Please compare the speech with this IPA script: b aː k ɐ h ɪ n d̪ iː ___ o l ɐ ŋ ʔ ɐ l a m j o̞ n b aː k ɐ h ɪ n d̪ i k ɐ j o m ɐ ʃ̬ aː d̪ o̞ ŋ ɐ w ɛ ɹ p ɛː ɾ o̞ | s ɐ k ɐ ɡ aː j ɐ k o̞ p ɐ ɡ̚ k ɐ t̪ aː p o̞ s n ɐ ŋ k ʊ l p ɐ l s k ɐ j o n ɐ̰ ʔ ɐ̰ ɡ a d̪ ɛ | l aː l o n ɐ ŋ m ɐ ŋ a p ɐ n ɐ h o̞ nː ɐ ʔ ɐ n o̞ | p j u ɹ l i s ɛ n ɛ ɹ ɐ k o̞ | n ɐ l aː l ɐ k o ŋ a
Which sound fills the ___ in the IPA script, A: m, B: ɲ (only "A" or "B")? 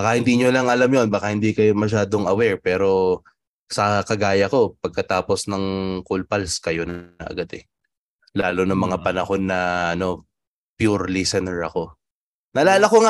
B